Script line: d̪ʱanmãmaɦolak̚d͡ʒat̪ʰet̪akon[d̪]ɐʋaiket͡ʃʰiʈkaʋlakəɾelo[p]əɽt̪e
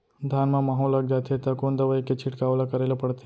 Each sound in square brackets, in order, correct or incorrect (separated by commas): correct, correct